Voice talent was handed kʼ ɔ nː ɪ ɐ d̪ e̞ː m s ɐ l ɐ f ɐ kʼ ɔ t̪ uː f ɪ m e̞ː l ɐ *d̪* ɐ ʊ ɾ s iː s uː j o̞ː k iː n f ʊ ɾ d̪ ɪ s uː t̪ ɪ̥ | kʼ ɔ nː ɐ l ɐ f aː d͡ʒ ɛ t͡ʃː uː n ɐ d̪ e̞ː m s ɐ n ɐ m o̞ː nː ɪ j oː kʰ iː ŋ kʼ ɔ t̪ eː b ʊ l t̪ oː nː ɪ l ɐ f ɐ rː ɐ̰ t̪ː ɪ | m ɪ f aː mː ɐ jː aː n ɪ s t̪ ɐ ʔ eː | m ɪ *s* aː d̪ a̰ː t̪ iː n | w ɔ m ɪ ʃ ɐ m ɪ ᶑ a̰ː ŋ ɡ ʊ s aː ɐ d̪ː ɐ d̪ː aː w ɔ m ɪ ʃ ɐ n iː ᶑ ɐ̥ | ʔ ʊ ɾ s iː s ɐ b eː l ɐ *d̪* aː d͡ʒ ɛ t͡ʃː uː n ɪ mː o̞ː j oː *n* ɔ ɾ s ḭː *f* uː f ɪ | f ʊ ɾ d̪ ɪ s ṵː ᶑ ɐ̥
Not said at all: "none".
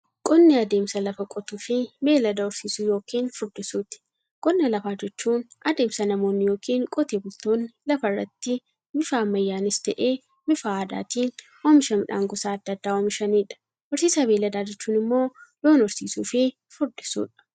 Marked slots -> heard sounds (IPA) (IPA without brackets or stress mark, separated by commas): d̪, f, d̪, n, s